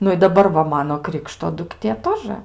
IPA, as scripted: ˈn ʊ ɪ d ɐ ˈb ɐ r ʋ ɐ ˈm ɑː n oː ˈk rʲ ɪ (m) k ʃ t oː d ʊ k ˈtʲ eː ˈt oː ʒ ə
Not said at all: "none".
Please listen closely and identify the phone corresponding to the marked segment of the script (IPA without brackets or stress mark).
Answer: none